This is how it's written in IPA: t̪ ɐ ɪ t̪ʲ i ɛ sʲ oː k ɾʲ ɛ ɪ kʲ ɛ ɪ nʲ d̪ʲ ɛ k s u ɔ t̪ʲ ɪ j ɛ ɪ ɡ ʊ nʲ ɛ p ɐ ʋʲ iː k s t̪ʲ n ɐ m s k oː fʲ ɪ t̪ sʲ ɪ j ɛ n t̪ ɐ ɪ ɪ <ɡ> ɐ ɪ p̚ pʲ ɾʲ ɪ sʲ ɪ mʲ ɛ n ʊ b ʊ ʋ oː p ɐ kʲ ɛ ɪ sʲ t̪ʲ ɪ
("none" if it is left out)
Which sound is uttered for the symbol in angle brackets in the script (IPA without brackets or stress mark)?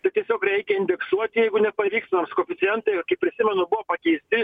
k